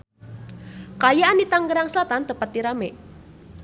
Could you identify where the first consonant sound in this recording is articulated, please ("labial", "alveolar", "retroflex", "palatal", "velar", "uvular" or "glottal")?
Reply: velar